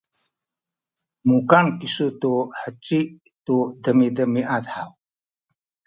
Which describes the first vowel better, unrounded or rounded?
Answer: rounded